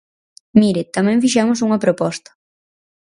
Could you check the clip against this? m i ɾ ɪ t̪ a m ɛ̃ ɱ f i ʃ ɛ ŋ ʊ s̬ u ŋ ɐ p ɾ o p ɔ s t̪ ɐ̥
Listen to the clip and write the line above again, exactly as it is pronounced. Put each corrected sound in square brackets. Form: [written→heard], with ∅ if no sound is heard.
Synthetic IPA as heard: m i ɾ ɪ t̪ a m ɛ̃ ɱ f i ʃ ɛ [ŋ→m] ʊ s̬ u ŋ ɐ p ɾ o p ɔ s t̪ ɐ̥